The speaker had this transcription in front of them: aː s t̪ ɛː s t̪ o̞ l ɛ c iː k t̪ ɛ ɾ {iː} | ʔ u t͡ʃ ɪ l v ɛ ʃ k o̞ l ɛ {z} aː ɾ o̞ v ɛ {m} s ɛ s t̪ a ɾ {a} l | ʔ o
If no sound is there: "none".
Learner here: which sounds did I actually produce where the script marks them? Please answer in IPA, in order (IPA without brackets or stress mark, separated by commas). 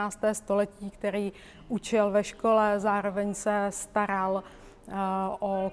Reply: iː, z, ɲ, a